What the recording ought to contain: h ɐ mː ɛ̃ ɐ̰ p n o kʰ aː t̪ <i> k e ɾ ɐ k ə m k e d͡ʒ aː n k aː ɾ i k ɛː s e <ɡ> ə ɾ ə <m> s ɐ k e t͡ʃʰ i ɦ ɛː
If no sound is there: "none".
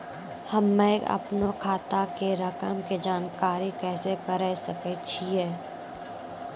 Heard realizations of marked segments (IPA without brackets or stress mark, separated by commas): a, k, none